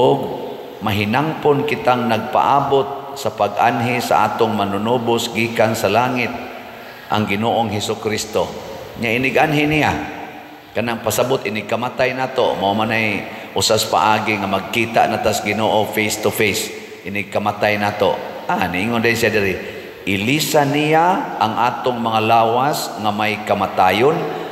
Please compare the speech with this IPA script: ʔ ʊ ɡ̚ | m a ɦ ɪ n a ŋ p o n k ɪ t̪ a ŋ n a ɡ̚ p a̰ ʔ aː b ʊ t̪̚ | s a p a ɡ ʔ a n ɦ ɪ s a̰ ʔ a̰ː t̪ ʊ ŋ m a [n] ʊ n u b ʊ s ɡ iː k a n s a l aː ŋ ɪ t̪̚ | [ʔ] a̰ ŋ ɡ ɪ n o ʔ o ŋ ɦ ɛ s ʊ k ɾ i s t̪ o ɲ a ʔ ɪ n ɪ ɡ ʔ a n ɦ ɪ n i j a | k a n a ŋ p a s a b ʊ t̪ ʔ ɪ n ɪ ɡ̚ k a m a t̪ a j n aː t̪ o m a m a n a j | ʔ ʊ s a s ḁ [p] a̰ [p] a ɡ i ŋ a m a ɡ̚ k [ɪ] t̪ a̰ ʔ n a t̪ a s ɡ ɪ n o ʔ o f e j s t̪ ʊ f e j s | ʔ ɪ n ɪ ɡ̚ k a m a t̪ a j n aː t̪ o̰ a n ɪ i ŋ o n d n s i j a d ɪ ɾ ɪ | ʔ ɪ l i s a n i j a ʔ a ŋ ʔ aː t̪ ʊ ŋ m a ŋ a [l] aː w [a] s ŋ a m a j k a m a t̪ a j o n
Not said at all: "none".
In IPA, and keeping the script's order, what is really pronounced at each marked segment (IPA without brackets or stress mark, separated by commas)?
n, ʔ, p, ʔ, i, l, a